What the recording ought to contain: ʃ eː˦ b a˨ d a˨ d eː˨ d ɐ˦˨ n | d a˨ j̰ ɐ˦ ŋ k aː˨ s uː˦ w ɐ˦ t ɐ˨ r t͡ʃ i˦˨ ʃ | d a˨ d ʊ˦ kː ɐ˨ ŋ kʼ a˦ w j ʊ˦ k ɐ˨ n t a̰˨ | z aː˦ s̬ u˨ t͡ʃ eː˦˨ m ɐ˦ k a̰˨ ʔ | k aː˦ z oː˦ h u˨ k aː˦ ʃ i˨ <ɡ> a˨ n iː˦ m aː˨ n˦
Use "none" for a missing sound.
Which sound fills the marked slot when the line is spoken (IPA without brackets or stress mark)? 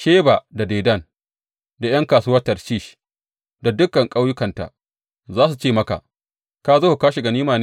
ɡ